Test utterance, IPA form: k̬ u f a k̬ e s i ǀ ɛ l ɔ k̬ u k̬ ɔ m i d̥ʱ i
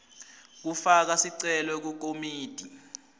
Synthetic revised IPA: k̬ u f a k̬ a s i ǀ ɛ l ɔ k̬ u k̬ o m iː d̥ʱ i